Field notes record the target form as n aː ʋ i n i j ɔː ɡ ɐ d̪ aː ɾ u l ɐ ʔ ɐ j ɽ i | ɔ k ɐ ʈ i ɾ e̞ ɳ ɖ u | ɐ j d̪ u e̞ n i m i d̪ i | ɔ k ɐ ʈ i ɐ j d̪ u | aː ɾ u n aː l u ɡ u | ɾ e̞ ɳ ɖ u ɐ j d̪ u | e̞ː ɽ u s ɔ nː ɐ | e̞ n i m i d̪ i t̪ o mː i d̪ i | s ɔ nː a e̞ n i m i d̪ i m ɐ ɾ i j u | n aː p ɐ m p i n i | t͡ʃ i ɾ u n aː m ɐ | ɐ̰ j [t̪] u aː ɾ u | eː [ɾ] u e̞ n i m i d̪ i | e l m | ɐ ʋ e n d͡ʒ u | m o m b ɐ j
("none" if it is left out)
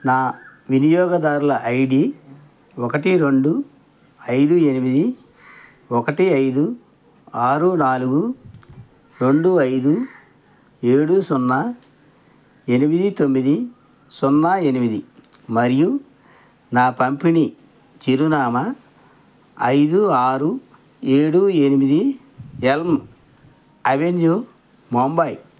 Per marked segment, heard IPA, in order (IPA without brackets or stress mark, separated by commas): d̪, ɽ